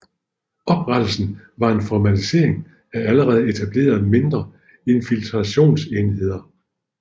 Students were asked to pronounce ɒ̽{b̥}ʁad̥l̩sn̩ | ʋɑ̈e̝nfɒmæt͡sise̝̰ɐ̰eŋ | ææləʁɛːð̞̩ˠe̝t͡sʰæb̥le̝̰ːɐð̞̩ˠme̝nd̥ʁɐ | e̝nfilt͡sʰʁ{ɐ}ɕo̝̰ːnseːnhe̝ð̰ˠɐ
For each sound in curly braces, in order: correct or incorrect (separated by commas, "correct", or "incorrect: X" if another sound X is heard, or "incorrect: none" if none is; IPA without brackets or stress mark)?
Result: correct, incorrect: ɑ